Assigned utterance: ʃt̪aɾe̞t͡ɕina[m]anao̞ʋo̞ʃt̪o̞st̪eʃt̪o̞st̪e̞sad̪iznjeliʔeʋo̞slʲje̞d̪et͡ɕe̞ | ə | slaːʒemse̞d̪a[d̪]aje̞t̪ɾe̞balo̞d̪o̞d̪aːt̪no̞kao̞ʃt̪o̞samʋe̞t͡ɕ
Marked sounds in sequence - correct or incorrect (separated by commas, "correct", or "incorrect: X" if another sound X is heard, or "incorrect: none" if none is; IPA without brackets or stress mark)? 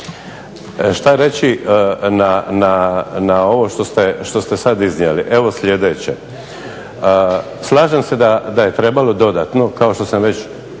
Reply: incorrect: n, correct